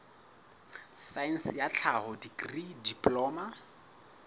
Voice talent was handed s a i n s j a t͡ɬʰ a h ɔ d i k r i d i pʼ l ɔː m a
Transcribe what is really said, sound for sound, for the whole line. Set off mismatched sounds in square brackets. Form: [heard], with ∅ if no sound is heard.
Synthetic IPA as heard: s a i n s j a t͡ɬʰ a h ɔ d i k r i d i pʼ l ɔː m a